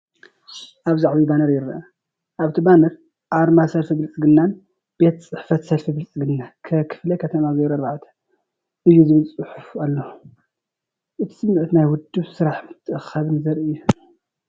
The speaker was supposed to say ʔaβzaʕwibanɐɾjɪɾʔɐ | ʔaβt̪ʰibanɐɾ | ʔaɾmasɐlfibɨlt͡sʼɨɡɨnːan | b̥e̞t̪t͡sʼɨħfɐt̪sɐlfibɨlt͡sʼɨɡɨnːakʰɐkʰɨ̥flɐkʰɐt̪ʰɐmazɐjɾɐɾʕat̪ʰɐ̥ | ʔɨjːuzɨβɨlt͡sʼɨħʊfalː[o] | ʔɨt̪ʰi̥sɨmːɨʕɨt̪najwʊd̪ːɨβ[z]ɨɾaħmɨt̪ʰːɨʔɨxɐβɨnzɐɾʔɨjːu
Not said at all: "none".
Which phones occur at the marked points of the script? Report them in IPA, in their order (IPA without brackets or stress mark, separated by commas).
o, s